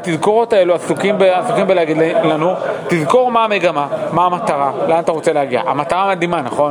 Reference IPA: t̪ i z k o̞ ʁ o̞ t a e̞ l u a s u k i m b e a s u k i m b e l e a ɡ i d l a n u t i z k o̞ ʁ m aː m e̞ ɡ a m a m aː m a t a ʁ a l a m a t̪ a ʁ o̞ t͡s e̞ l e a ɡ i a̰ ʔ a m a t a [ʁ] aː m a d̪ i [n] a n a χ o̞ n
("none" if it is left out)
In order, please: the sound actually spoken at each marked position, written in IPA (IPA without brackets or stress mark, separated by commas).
ʁ, m